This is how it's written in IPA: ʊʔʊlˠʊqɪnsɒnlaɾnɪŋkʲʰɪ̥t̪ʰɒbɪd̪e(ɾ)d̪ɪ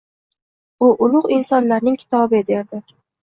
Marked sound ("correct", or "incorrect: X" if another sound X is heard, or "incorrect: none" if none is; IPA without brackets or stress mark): correct